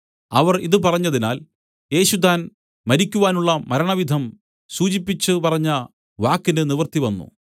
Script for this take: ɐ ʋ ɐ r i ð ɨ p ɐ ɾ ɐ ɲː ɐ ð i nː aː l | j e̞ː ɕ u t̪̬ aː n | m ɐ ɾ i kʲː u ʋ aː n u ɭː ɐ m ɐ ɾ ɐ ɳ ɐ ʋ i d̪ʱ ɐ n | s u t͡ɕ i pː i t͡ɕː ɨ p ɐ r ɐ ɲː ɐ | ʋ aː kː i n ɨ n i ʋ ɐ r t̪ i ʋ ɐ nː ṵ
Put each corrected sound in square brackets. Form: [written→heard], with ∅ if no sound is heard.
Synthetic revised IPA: ɐ ʋ ɐ r i ð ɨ p ɐ [ɾ→r] ɐ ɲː ɐ ð i [nː→n] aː l | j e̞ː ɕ u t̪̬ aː n | m ɐ ɾ i kʲː u ʋ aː n u ɭː ɐ m ɐ ɾ ɐ ɳ ɐ ʋ i d̪ʱ ɐ [n→m] | s [u→uː] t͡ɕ i pː i t͡ɕː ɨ p ɐ r ɐ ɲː ɐ | ʋ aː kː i n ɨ n i ʋ ɐ r t̪ i ʋ ɐ nː ṵ